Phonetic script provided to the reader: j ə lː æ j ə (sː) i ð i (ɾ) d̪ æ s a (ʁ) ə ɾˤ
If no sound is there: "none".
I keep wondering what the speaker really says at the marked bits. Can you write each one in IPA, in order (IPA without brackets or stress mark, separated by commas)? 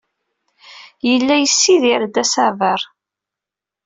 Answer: sː, ɾ, v